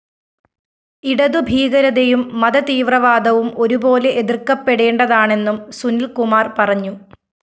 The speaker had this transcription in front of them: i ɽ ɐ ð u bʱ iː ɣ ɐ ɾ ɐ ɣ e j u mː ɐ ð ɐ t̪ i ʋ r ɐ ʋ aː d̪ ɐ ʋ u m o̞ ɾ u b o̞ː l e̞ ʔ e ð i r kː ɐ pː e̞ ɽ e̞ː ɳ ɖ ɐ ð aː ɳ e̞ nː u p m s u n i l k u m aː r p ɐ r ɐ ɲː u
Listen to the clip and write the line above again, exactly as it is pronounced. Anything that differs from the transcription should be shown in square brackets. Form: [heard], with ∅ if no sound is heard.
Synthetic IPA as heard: i ɽ ɐ ð u bʱ iː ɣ ɐ ɾ ɐ [ð] e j u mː ɐ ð ɐ t̪ [iː] ʋ r ɐ ʋ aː d̪ ɐ ʋ u m o̞ ɾ u b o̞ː l e̞ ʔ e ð i r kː ɐ pː e̞ ɽ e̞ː ɳ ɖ ɐ ð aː ɳ e̞ nː u [∅] m s u n i l k u m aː r p ɐ r ɐ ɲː u